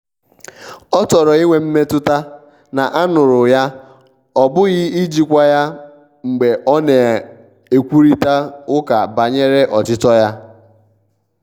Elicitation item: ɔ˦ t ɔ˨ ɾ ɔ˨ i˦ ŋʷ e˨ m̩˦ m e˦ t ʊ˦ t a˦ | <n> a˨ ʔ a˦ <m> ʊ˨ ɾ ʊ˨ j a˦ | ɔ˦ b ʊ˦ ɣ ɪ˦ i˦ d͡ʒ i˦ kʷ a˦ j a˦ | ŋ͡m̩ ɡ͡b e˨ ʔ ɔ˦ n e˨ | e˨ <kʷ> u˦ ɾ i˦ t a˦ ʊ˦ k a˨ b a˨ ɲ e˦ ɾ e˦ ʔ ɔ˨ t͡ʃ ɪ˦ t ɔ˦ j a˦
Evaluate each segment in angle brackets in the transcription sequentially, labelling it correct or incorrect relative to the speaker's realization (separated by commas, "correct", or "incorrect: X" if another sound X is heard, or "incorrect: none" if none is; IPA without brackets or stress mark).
correct, incorrect: n, correct